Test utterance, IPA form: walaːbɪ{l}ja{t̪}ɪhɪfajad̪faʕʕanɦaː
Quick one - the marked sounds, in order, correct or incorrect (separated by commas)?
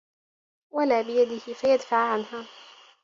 incorrect, incorrect